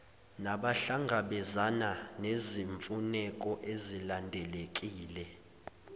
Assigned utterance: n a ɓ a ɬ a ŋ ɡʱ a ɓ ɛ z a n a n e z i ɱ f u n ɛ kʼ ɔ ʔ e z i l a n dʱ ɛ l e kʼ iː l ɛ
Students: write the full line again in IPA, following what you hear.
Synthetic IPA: n a ɓ a ɬ a ŋ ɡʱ a ɓ ɛ z a n a n e z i ɱ f u n ɛ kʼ ɔ ʔ e z i l a n dʱ ɛ l e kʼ iː l ɛ